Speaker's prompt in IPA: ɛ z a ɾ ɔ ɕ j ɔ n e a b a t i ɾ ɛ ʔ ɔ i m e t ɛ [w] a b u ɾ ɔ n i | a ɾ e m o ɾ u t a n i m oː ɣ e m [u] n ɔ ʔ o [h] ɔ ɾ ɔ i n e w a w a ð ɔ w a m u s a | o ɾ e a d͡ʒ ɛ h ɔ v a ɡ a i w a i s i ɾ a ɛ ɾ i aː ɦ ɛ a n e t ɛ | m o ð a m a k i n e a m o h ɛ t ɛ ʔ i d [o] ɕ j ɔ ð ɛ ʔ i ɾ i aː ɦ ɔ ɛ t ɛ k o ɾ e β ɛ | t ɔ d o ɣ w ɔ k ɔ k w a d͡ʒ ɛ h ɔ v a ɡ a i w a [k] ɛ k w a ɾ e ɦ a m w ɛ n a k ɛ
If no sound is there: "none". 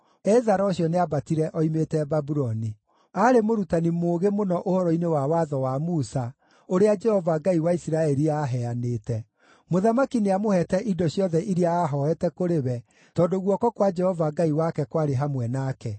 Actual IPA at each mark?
b, o, h, ɔ, k

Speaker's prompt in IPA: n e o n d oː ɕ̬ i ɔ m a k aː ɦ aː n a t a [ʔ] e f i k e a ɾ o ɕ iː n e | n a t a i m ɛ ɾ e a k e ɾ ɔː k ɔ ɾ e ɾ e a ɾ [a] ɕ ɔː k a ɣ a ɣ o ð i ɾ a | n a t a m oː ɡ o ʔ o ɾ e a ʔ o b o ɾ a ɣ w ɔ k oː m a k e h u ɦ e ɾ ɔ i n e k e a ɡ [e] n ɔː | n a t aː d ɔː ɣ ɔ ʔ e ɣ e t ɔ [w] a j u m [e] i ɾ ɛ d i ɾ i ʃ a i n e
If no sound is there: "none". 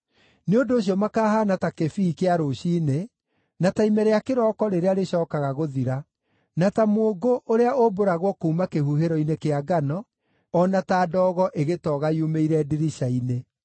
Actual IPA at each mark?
k, e, a, ɣ, e

